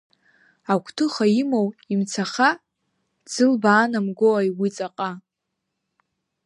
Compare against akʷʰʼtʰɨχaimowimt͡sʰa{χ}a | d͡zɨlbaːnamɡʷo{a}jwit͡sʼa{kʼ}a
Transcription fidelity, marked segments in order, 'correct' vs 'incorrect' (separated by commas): correct, correct, incorrect